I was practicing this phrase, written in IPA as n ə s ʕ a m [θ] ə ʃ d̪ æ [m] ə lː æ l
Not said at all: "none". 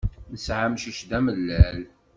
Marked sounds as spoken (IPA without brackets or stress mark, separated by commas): ʃ, m